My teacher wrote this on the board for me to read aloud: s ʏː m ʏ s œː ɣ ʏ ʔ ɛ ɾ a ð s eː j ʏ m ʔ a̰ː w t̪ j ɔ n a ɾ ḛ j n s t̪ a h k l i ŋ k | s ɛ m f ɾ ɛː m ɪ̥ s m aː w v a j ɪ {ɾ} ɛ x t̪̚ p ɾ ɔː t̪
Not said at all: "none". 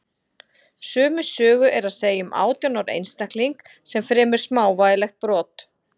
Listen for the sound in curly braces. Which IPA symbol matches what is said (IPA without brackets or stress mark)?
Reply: l